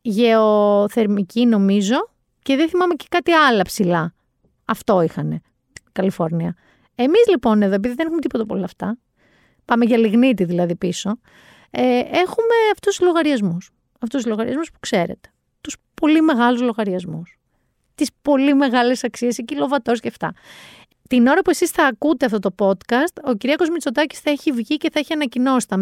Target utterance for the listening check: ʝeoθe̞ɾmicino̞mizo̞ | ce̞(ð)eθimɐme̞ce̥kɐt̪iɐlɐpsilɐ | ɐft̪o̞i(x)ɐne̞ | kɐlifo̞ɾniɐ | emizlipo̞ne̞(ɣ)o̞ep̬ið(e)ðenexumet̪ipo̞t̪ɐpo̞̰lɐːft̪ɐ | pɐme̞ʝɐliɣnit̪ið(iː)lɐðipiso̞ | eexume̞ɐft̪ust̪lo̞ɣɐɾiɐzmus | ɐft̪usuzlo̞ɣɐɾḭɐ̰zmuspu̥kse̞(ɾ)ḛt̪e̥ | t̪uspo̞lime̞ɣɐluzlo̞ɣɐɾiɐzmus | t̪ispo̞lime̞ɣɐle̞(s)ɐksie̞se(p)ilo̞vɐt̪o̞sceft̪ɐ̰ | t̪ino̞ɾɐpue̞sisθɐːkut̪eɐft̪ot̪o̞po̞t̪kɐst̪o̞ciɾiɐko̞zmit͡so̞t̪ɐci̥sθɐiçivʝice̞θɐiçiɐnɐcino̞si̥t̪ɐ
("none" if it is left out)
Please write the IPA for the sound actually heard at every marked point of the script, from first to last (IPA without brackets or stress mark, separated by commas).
ð, x, ð, i, i, ɾ, s, c